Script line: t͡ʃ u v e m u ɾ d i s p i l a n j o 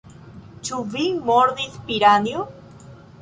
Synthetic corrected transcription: t͡ʃ u v i m o ɾ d i s p i ɾ a n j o